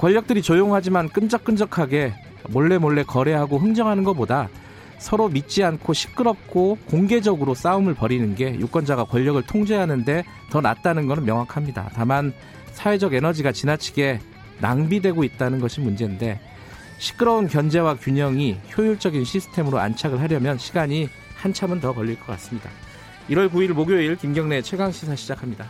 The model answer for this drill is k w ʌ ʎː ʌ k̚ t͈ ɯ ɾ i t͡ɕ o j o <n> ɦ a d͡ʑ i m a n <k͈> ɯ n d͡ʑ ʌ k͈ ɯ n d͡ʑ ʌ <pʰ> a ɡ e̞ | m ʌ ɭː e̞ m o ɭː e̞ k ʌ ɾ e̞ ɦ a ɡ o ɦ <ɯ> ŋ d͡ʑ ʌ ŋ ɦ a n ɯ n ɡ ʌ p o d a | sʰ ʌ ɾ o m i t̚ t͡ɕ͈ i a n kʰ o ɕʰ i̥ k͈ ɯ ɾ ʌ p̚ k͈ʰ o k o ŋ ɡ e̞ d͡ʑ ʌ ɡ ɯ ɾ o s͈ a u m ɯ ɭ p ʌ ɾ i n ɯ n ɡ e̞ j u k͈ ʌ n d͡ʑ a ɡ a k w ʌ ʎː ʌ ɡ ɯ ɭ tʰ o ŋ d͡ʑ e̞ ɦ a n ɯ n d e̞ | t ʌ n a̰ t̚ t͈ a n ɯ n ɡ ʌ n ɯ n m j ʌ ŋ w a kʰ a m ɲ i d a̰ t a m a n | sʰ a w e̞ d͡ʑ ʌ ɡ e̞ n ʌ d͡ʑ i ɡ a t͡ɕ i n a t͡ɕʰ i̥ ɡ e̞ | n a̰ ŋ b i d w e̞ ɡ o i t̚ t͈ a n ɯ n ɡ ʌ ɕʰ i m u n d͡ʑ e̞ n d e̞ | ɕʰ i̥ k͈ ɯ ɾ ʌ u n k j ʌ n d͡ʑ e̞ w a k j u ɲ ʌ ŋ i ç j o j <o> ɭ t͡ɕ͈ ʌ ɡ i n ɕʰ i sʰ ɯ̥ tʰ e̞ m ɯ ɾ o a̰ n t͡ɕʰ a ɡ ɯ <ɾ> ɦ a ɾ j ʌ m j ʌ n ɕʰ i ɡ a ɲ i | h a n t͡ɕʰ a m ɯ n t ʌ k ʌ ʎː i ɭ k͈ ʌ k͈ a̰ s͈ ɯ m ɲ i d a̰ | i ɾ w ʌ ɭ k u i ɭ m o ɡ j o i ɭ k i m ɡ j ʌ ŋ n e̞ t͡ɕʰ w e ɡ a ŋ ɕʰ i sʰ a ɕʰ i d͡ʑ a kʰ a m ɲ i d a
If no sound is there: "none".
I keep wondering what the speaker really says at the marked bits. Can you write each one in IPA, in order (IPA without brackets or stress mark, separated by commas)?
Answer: ŋ, k͈, kʰ, ɯ, u, ɭ